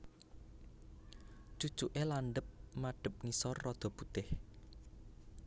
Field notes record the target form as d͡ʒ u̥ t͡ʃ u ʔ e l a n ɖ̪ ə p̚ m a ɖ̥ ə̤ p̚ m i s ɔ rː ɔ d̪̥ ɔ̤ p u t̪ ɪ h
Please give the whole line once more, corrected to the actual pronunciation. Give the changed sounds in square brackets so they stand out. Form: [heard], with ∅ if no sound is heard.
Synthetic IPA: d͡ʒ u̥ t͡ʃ u ʔ e l a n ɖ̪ ə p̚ m a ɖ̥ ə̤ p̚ [ŋ] i s ɔ rː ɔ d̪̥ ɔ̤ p u t̪ ɪ h